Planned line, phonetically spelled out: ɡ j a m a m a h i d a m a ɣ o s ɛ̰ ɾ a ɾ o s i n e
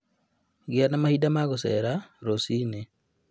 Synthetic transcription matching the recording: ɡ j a n a m a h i d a m a ɣ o s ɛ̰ ɾ a ɾ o s i n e